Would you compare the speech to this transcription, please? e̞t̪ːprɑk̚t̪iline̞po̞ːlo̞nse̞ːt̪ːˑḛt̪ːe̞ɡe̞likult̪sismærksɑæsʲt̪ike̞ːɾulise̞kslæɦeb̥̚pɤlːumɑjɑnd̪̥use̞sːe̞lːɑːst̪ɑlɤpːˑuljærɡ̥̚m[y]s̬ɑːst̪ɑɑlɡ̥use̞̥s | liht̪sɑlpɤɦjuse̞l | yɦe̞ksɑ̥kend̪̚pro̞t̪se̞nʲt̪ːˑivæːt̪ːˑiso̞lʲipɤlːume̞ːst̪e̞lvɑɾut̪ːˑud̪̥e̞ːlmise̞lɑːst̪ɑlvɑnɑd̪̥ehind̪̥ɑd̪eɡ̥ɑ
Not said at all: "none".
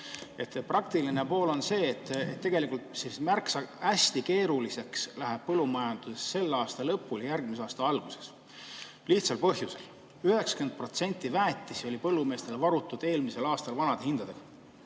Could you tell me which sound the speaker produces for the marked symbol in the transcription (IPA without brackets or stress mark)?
i